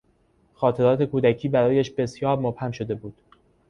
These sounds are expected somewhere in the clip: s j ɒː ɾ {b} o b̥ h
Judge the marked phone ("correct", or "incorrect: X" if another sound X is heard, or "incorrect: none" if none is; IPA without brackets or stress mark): incorrect: m